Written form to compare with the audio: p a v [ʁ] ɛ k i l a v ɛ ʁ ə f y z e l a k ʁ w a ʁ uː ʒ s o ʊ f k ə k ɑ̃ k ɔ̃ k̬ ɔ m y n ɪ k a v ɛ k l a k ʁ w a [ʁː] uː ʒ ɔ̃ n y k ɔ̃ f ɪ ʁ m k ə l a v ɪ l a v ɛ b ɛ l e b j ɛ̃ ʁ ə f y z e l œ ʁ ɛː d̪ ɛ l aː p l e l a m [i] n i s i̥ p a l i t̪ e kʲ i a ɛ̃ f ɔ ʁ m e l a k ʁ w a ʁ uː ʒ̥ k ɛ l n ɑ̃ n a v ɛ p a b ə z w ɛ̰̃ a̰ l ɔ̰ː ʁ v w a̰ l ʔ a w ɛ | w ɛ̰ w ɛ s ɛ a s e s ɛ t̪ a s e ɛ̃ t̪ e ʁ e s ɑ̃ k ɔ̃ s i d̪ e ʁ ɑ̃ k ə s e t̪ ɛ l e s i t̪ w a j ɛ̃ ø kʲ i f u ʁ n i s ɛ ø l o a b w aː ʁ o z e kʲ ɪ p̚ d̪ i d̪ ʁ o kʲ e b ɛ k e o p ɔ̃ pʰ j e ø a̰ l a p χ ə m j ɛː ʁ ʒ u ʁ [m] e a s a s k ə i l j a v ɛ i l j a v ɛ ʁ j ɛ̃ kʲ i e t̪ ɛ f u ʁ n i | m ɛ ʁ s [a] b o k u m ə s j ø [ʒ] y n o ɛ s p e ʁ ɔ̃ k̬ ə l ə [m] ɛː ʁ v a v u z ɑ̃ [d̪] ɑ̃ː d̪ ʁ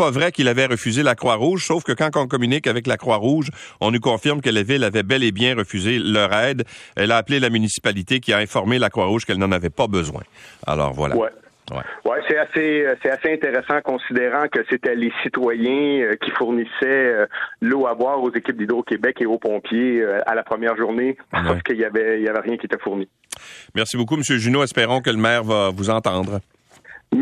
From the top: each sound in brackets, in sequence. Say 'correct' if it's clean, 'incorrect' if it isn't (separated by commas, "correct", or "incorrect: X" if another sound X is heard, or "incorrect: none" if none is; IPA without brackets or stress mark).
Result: correct, incorrect: ʁ, incorrect: y, incorrect: n, incorrect: i, correct, correct, incorrect: t̪